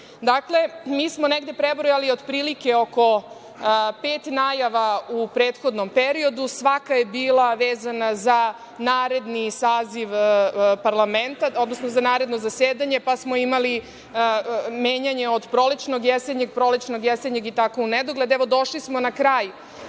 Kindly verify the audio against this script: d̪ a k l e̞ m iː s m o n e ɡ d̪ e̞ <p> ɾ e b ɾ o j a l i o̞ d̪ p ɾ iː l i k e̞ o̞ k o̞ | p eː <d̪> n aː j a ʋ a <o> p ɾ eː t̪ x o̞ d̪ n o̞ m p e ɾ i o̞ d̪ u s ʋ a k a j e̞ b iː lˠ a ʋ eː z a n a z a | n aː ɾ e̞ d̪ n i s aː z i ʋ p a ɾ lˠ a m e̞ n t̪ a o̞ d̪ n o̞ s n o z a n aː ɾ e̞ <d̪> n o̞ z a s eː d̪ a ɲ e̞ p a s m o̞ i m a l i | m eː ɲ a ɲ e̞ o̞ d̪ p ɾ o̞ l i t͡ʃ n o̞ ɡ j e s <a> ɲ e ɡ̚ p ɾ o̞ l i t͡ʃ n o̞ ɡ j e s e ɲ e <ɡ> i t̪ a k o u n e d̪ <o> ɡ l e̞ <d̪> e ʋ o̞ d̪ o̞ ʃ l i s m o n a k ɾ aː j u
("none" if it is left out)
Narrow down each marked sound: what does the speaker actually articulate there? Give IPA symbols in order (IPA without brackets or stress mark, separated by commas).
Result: p, t̪, u, d̪, e, ɡ, o, d̪